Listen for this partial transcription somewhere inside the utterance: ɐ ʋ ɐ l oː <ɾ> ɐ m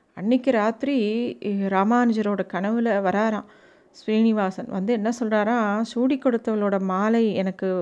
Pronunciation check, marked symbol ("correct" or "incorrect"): incorrect